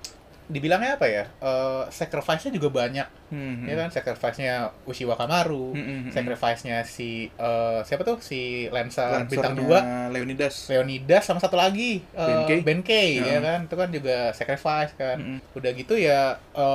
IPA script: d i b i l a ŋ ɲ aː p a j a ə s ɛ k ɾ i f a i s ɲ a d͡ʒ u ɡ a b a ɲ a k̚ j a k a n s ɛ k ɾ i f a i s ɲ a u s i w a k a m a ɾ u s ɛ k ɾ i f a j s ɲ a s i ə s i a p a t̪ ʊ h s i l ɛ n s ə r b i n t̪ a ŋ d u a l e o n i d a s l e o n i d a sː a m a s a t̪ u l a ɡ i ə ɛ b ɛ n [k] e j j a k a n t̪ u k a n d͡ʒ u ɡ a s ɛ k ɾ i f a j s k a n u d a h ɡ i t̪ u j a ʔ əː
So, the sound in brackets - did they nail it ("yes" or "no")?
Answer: yes